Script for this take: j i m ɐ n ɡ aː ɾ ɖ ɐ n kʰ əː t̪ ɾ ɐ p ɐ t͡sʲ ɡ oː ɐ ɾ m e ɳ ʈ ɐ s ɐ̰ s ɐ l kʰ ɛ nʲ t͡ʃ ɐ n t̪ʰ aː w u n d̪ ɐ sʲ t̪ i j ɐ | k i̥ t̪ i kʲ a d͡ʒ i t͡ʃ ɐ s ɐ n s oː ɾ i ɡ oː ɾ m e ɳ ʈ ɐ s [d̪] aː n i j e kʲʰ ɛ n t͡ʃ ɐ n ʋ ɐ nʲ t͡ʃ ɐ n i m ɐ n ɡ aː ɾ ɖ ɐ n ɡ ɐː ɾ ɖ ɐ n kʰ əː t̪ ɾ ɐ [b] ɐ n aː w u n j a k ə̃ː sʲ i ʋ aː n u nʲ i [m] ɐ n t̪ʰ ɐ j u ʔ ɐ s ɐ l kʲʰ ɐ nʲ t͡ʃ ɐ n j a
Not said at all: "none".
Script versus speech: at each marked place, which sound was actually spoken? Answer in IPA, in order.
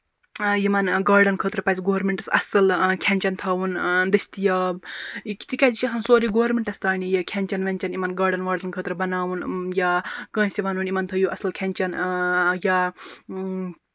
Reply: t̪, b, m

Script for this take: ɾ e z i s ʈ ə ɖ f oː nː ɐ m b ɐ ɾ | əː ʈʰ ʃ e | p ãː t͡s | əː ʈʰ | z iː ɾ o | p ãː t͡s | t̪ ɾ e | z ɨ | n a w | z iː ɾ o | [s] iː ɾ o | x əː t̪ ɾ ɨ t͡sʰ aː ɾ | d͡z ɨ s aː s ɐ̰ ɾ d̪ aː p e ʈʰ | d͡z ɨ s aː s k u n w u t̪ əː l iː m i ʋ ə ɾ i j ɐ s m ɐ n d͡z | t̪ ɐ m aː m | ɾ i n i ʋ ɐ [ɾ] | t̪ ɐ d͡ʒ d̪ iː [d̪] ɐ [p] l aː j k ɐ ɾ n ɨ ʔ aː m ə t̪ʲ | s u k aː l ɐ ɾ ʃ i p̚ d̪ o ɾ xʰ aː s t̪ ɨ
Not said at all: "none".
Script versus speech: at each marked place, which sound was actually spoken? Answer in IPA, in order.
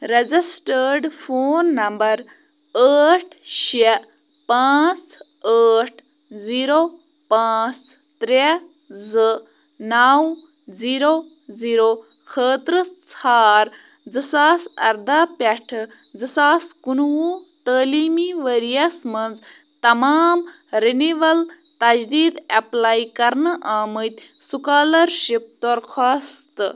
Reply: z, l, d̪, p

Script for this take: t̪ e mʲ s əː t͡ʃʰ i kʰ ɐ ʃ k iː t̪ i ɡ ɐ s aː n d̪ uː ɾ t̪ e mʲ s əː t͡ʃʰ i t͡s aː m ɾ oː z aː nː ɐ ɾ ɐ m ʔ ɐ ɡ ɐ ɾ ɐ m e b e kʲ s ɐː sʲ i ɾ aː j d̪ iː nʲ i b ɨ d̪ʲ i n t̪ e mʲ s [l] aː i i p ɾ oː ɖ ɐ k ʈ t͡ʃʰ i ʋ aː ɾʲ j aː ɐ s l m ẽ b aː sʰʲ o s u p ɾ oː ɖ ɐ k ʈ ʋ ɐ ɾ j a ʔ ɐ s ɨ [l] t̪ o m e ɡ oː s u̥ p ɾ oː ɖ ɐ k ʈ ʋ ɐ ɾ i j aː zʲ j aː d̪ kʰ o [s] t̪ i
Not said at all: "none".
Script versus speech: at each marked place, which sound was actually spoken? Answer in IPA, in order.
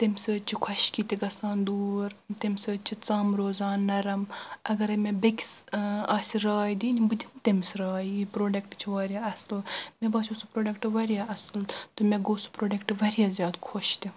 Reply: ɾ, l, ʃ

